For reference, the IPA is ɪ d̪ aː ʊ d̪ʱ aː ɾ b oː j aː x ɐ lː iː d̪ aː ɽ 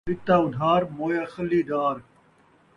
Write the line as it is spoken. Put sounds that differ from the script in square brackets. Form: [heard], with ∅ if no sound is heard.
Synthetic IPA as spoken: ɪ [t̪] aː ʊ d̪ʱ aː ɾ [m] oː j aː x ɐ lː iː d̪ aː [ɾ]